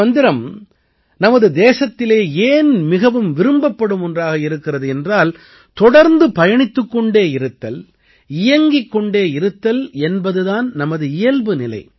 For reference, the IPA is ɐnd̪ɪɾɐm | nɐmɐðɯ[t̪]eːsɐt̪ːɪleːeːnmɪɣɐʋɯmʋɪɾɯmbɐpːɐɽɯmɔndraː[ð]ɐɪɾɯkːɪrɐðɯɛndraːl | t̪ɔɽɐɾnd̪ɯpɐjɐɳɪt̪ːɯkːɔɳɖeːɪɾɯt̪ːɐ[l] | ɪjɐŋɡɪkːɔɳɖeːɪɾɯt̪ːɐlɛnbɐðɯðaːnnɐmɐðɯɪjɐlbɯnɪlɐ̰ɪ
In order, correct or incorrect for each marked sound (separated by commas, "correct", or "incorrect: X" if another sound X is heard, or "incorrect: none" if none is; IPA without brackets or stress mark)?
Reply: incorrect: d̪, incorrect: ɣ, correct